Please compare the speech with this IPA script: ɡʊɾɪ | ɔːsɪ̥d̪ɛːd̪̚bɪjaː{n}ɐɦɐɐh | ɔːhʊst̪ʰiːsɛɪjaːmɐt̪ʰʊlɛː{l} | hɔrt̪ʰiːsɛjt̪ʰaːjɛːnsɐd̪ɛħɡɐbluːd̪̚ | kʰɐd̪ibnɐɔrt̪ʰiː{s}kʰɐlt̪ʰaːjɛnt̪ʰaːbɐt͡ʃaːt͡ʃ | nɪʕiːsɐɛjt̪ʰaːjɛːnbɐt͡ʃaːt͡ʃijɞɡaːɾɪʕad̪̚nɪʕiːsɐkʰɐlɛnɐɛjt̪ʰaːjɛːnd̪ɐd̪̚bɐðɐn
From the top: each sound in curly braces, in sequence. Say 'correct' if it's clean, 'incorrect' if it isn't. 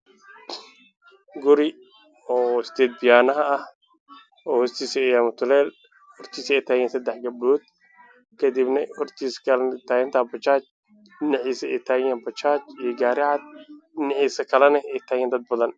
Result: correct, correct, correct

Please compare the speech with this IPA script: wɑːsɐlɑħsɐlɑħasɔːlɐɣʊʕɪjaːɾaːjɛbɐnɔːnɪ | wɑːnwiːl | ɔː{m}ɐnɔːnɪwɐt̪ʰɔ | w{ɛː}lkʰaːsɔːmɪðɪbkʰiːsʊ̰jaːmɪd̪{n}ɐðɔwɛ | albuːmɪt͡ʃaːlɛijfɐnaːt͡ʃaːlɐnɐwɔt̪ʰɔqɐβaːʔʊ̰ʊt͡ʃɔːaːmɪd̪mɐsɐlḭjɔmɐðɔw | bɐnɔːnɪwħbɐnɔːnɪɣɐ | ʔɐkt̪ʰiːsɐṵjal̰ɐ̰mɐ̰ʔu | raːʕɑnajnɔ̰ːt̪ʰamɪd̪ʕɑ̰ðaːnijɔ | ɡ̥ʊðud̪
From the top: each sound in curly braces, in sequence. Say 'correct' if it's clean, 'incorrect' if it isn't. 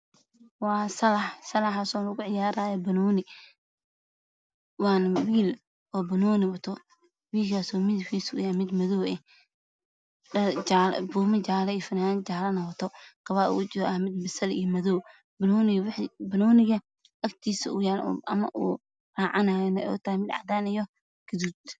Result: incorrect: b, incorrect: iː, incorrect: m

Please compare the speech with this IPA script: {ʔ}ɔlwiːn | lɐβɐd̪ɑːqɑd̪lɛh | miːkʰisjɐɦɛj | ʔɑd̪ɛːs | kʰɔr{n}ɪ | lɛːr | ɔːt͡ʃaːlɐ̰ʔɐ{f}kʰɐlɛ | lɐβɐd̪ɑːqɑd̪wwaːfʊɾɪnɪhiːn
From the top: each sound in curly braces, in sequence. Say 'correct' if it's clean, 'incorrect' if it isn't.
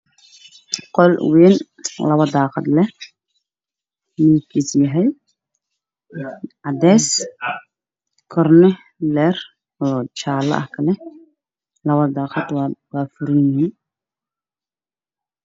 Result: incorrect: q, correct, incorrect: h

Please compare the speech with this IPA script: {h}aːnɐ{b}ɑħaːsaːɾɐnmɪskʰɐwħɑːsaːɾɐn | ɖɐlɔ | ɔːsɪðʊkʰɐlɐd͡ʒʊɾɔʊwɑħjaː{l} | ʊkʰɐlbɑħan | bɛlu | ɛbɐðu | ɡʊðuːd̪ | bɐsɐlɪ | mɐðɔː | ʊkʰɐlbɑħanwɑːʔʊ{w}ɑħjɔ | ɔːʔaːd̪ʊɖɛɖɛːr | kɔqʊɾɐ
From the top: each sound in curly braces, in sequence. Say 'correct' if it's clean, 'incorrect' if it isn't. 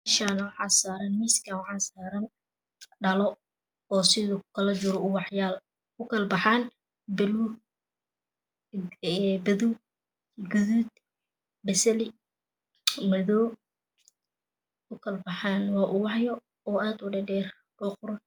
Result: incorrect: ʃ, incorrect: w, correct, correct

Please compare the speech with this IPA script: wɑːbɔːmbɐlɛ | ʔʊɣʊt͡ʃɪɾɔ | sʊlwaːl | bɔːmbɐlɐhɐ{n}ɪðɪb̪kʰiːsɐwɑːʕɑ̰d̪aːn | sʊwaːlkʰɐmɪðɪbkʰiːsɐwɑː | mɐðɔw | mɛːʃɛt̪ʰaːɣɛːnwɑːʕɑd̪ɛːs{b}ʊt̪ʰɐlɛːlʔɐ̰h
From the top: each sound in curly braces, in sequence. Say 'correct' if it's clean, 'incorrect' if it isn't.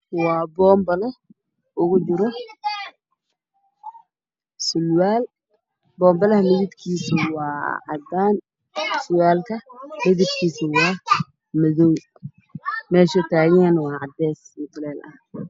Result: incorrect: m, incorrect: m

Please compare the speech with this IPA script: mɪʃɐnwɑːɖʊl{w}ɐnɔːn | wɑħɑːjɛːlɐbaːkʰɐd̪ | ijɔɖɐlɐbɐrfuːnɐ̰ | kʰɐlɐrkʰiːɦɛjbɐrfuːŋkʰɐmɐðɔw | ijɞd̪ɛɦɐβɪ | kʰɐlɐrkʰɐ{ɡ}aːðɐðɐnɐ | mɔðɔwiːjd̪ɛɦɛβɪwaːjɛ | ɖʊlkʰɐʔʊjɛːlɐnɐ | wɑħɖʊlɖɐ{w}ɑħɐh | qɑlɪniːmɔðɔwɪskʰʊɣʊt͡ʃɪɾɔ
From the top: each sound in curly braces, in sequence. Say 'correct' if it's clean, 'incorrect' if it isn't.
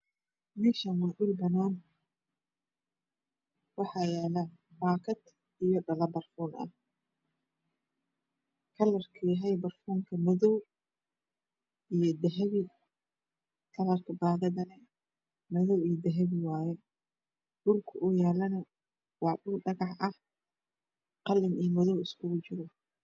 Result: incorrect: b, incorrect: b, incorrect: ɣ

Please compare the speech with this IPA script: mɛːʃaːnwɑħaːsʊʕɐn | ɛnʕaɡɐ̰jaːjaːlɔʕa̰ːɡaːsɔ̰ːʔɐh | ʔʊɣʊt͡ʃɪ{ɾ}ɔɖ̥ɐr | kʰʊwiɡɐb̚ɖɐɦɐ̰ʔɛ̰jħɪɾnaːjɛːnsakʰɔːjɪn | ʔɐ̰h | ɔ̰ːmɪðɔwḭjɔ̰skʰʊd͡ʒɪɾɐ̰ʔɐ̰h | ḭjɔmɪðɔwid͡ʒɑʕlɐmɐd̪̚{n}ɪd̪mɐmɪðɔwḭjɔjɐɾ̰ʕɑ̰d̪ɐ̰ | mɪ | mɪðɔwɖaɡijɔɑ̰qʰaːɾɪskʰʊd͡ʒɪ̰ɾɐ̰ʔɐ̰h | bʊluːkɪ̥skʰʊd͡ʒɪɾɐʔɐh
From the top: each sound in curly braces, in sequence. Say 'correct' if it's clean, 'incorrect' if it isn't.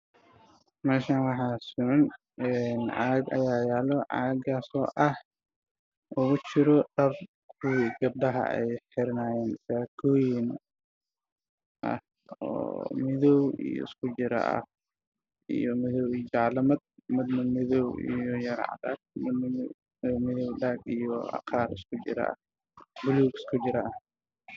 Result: correct, incorrect: m

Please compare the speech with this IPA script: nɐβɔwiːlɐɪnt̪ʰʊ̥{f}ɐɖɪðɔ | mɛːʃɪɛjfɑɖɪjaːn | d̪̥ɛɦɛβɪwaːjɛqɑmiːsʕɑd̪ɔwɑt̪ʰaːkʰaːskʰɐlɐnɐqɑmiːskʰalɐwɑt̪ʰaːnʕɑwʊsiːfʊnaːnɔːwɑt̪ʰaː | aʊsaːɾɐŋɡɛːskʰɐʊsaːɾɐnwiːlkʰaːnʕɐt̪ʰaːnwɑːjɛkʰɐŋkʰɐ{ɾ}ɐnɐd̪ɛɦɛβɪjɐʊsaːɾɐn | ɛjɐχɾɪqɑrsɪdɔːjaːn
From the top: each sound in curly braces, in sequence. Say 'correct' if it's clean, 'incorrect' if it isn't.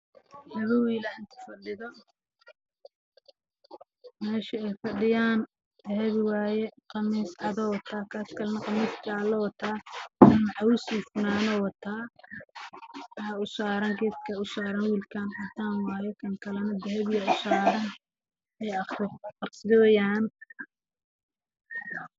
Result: correct, incorrect: l

